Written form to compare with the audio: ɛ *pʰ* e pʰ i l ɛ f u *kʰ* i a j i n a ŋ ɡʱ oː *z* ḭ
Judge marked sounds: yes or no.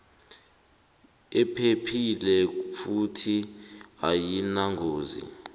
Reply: yes, no, yes

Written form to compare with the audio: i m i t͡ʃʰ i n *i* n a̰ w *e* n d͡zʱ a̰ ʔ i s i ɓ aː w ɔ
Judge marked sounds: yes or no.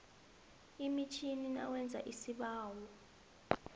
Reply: yes, no

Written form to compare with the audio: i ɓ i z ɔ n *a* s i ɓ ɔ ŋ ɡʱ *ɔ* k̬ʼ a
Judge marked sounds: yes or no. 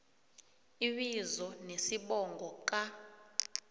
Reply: no, yes

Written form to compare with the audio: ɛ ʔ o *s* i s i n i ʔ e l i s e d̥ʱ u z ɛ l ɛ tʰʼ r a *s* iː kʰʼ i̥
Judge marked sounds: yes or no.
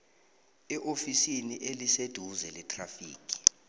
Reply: no, no

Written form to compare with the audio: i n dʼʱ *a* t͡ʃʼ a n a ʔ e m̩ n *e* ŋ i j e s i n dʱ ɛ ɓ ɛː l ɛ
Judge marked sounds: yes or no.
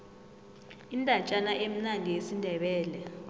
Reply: yes, no

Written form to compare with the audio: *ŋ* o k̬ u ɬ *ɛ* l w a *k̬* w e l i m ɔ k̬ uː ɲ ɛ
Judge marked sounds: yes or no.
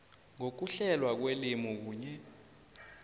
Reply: yes, yes, yes

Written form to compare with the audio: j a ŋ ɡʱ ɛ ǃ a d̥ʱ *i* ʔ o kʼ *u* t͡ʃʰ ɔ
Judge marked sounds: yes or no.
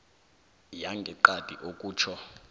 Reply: yes, no

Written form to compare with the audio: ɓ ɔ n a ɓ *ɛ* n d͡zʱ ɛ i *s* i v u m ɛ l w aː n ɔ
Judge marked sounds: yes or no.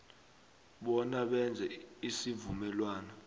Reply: yes, yes

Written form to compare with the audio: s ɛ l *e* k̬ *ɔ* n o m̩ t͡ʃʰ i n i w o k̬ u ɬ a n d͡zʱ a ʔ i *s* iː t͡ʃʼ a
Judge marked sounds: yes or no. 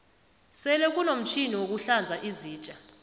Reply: no, no, no

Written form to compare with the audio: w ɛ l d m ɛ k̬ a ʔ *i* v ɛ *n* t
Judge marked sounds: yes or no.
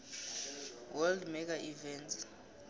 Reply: yes, yes

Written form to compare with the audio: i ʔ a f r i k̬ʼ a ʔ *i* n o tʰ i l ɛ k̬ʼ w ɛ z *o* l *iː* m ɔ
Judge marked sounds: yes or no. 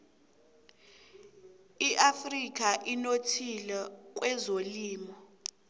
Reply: yes, yes, yes

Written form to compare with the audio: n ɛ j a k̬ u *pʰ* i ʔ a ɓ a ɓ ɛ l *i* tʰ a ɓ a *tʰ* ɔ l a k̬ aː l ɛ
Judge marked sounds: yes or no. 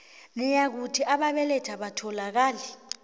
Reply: no, no, yes

